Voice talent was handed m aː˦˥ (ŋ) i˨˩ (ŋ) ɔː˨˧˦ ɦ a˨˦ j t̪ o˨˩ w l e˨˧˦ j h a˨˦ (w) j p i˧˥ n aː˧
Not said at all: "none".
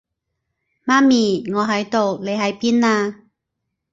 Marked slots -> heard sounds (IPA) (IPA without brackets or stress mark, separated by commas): m, ŋ, none